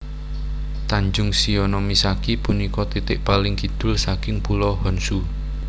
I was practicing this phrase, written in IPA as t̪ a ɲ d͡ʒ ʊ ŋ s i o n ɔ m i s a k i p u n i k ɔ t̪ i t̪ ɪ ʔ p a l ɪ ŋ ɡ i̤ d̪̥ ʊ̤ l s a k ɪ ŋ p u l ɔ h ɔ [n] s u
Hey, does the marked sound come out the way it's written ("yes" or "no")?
yes